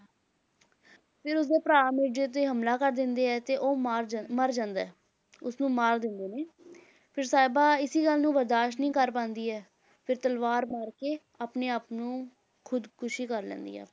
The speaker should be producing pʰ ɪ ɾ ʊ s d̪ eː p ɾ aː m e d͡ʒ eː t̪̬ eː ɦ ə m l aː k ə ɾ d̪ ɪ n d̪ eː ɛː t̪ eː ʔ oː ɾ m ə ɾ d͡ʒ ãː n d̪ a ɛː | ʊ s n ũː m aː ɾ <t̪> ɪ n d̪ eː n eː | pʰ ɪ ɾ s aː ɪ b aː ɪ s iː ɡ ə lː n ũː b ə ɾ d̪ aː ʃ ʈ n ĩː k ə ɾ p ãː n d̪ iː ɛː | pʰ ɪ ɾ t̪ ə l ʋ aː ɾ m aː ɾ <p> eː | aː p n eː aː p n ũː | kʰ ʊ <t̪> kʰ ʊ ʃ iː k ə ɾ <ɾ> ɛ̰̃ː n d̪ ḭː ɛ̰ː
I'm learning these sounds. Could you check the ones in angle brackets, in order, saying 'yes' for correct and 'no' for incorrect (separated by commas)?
no, no, no, no